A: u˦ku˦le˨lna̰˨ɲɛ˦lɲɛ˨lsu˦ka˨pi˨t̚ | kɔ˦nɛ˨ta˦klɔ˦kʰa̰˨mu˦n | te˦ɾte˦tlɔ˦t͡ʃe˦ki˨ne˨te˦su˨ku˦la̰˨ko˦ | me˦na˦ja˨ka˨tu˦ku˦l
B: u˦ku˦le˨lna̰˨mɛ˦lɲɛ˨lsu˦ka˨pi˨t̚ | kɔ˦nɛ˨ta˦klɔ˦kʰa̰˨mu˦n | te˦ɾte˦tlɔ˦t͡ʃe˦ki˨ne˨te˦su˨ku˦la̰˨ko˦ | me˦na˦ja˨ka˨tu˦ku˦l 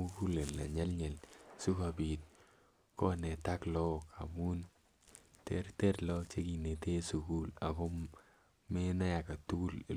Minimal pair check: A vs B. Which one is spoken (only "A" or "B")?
A